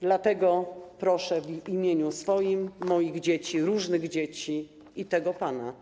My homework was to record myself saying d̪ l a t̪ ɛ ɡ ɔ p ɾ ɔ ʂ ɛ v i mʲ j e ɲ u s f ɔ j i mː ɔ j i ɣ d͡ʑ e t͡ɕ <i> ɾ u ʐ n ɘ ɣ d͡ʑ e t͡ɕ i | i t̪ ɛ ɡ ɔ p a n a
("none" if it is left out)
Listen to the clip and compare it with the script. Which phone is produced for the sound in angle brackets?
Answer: i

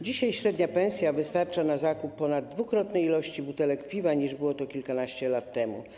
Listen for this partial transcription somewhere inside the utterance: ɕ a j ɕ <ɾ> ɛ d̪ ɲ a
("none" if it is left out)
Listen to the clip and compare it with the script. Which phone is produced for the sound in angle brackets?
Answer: ɾ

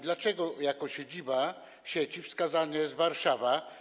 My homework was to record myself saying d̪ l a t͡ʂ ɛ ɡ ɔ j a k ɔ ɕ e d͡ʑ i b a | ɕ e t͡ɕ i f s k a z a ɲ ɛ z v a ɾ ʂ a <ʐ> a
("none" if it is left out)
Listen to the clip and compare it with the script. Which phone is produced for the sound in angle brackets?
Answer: v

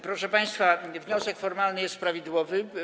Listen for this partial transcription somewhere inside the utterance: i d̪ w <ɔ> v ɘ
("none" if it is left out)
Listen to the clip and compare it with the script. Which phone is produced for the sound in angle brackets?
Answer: ɔ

